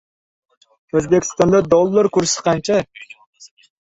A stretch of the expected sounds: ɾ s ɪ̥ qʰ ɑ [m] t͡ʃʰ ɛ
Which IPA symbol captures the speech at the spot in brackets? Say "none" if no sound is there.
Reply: n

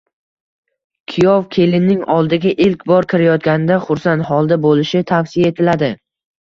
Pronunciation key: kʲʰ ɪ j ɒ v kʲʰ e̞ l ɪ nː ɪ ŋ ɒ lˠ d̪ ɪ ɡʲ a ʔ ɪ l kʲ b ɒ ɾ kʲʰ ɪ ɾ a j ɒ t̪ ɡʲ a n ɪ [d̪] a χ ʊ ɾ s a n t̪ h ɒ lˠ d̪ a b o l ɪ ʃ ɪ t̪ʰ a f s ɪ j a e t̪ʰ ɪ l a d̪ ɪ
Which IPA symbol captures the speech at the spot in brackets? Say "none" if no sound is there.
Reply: d̪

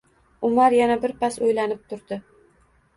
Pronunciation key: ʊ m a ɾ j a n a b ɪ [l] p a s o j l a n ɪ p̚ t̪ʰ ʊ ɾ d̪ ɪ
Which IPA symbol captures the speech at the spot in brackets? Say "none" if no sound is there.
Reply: ɾ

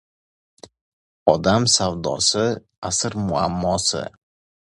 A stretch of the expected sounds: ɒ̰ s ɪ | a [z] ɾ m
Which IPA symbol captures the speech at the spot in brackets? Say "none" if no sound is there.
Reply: s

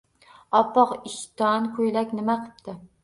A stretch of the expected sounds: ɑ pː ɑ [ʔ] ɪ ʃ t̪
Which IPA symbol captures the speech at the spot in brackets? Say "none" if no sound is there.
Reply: q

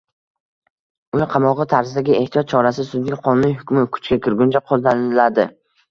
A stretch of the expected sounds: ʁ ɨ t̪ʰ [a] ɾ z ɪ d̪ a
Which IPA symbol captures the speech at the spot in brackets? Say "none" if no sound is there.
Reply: a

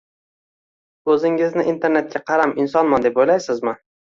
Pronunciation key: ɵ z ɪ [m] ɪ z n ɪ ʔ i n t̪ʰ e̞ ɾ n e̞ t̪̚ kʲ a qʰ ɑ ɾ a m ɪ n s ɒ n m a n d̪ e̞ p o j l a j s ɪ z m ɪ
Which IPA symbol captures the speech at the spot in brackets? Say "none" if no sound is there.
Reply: ŋ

